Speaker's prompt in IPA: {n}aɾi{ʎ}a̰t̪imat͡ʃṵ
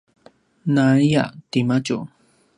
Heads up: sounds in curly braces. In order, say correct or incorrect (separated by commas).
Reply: correct, incorrect